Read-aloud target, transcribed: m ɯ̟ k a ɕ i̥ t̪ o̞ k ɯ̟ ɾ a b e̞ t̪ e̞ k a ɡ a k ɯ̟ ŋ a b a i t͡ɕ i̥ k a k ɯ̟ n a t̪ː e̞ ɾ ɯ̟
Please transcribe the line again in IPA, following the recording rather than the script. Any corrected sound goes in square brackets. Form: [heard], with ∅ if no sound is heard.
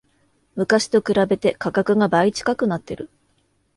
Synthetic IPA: m ɯ̟ k a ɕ i̥ t̪ o̞ k ɯ̟ ɾ a b e̞ t̪ e̞ k a [k] a k ɯ̟ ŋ a b a i t͡ɕ i̥ k a k ɯ̟ n a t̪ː e̞ ɾ ɯ̟